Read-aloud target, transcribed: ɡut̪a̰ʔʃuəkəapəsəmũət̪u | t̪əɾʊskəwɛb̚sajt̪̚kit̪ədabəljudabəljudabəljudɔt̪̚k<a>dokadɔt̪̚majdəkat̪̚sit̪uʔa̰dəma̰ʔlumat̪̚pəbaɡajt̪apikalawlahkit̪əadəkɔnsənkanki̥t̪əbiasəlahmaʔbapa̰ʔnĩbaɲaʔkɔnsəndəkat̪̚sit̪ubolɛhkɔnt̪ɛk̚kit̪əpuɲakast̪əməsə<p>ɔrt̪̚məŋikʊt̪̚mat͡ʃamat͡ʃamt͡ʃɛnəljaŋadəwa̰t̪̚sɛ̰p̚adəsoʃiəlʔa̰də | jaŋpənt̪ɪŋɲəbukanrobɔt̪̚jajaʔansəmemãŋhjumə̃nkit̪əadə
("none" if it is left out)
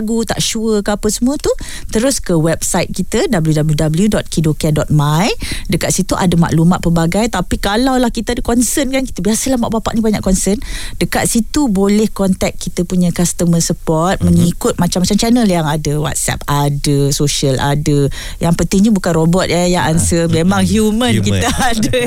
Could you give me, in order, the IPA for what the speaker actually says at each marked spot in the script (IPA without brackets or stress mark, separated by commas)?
i, p